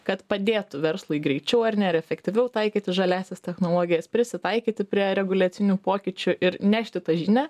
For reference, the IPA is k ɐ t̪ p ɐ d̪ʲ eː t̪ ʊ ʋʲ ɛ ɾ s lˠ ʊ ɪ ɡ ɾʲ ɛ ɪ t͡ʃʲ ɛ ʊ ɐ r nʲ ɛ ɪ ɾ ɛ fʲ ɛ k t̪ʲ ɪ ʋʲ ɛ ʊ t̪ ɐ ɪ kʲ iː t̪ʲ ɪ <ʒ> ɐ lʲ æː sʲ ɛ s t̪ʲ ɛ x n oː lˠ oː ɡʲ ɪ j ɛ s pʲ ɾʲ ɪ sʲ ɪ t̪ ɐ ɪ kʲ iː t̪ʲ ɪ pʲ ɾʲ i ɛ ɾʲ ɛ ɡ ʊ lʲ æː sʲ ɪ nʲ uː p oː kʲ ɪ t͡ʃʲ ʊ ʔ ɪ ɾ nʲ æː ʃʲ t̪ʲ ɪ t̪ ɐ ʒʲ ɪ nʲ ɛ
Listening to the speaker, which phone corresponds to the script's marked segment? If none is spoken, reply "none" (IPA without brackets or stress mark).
ʒ